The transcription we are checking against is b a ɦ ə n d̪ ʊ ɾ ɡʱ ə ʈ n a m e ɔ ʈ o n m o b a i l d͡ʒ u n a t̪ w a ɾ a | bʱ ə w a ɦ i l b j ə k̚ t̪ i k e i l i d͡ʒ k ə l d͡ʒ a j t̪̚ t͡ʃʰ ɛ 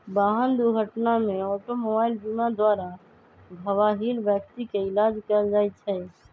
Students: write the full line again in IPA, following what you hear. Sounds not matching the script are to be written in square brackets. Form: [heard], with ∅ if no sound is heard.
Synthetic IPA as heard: b a ɦ ə n d̪ [u] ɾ ɡʱ ə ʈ n a m e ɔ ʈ o [∅] m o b a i l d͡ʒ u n a [d̪] w a ɾ a | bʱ ə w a ɦ i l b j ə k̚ t̪ i k e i l [a] d͡ʒ k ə l d͡ʒ a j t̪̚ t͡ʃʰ ɛ